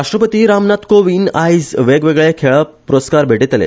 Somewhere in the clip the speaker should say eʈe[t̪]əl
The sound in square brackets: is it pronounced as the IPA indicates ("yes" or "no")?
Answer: yes